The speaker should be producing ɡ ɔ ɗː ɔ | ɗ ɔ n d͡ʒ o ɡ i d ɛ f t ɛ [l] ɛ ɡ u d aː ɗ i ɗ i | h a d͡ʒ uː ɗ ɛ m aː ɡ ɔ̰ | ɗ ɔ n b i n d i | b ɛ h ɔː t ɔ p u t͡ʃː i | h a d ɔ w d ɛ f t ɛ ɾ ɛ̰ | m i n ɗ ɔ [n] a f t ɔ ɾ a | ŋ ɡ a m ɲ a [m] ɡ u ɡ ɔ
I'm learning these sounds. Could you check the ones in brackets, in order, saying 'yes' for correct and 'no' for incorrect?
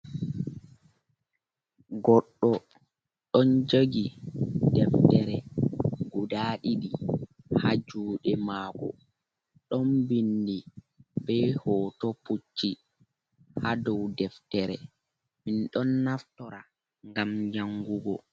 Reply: no, no, no

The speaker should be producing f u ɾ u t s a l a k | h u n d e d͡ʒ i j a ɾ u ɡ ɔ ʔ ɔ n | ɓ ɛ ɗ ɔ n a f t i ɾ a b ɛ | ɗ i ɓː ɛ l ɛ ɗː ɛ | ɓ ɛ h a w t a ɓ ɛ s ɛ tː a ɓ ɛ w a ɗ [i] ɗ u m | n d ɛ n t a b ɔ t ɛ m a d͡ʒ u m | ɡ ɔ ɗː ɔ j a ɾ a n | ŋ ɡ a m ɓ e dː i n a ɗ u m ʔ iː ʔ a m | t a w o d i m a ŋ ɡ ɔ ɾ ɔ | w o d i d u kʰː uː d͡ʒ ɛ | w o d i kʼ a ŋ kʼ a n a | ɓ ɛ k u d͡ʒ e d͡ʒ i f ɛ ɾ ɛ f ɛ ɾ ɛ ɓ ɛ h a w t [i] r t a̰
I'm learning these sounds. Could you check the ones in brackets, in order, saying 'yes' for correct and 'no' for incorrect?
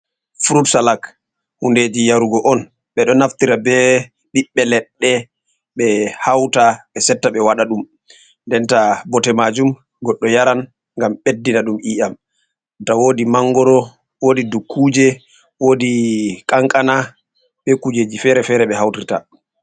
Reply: no, yes

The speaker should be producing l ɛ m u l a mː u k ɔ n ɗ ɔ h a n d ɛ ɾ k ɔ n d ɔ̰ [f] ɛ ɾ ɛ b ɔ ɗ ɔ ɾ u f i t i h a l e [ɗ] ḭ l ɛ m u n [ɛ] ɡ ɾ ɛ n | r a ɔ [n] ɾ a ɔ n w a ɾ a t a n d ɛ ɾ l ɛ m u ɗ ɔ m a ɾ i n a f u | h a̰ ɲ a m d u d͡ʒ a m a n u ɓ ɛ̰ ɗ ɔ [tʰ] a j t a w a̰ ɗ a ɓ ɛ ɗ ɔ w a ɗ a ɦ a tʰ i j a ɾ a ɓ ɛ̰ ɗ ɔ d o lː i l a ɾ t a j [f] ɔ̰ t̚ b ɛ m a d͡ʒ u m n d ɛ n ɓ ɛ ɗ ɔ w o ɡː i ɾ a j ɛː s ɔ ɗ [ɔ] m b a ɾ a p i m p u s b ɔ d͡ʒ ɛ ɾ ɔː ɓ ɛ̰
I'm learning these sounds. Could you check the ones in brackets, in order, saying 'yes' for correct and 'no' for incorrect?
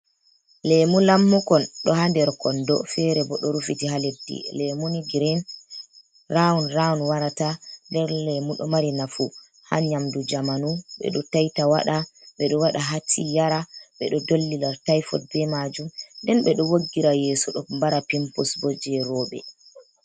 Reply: yes, no, no, yes, no, yes, yes

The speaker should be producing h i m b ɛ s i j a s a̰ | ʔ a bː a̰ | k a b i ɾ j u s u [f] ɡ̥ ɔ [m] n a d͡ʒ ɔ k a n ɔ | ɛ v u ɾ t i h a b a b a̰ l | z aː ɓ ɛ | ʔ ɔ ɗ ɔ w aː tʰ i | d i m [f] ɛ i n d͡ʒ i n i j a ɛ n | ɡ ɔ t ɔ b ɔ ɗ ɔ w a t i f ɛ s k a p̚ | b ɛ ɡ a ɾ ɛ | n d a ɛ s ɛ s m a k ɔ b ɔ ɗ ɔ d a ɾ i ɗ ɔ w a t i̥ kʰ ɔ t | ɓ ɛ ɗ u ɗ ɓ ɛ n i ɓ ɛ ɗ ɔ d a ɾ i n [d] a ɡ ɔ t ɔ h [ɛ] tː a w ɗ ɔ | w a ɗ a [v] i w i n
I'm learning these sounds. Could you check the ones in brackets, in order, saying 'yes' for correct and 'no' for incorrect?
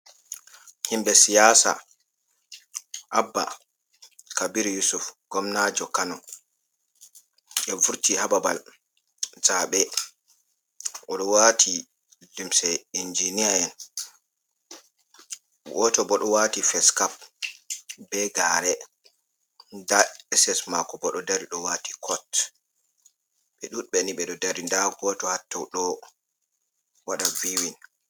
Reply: yes, yes, no, yes, no, yes

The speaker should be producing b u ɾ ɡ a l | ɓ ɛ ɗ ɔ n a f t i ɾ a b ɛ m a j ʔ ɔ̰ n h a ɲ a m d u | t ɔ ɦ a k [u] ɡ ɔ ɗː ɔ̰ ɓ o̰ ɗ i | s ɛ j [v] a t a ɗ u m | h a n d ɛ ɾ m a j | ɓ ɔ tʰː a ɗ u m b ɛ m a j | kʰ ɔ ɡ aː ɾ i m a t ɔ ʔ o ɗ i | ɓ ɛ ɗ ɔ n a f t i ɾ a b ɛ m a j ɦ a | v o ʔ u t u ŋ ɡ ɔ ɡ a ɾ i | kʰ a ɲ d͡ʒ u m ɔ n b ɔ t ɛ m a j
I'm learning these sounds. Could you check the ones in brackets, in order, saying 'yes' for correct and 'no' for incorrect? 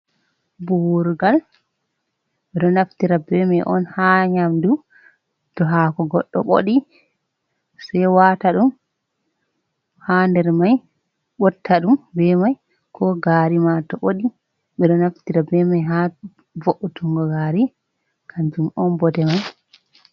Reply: no, no

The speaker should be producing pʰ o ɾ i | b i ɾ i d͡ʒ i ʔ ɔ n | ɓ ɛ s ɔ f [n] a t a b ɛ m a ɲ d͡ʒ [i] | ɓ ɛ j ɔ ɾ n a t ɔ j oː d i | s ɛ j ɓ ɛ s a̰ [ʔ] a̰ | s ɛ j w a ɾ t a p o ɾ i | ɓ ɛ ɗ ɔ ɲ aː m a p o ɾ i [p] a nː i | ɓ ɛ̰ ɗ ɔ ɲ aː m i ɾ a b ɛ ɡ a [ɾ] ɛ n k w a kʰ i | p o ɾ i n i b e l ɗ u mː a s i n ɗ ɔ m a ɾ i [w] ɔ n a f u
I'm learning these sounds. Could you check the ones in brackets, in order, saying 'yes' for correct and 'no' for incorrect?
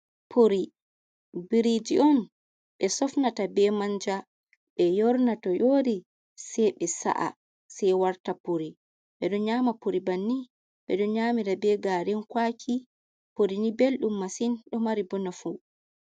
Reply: yes, no, yes, no, yes, no

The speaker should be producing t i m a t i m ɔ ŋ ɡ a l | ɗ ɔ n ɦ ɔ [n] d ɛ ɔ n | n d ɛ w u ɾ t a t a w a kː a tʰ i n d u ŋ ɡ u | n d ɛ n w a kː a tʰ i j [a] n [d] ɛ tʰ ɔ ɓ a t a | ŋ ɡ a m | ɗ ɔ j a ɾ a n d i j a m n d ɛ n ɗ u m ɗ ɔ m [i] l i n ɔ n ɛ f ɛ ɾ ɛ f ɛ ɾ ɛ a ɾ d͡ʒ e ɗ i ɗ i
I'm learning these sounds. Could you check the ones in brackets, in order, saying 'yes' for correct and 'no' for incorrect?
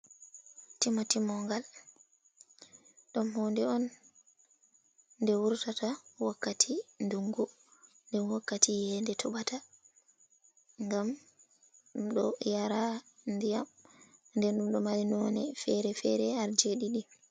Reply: yes, no, yes, no

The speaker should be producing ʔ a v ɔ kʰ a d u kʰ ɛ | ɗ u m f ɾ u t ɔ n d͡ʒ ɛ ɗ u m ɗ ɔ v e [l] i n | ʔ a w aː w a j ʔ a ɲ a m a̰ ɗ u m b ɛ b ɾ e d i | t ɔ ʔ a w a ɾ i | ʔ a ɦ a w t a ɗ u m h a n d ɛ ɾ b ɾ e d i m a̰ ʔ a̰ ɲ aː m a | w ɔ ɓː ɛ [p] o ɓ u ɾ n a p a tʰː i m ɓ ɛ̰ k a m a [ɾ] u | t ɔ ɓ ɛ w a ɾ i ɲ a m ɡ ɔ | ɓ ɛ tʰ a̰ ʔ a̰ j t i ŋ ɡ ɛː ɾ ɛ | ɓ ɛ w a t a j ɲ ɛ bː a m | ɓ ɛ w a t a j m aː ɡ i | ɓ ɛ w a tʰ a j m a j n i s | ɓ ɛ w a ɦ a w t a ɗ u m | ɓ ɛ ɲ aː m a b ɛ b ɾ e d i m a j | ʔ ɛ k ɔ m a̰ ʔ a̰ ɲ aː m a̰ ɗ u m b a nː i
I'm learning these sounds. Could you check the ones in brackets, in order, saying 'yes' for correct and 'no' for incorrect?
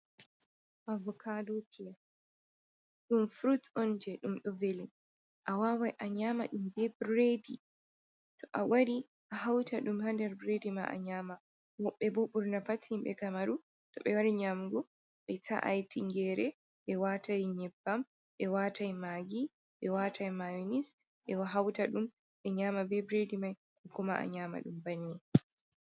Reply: yes, no, yes

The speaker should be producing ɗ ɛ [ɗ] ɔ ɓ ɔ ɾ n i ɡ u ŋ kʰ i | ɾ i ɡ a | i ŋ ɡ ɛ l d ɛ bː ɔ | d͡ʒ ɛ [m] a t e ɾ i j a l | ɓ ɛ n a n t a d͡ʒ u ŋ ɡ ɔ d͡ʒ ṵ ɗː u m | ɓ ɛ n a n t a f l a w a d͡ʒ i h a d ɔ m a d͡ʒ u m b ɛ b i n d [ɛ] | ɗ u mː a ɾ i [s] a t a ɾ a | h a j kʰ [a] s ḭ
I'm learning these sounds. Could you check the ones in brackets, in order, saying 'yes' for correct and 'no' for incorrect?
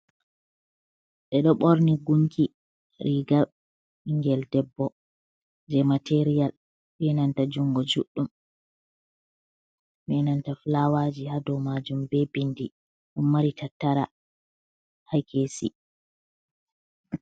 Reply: yes, yes, no, no, no

